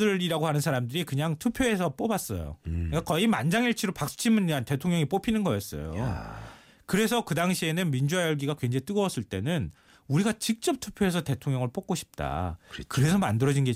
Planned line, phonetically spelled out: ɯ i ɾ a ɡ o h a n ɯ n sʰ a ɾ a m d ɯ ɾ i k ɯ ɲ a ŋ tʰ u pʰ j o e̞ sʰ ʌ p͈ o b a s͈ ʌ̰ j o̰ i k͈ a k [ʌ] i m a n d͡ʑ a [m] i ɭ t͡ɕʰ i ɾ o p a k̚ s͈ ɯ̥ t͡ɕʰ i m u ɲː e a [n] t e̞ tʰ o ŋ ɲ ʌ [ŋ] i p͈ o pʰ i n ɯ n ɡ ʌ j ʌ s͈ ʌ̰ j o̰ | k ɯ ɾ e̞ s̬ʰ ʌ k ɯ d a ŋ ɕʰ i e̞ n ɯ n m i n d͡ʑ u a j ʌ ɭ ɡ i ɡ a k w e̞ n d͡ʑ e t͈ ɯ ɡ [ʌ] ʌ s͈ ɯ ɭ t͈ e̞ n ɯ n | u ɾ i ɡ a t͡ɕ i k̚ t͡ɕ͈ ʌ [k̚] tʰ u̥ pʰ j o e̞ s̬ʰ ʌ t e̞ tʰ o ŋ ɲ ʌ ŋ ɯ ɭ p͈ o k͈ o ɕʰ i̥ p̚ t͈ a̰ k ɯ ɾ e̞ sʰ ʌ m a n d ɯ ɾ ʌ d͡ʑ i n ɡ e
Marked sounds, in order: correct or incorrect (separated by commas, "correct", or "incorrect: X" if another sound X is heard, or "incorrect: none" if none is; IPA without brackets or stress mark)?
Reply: correct, incorrect: ŋ, correct, correct, correct, incorrect: p̚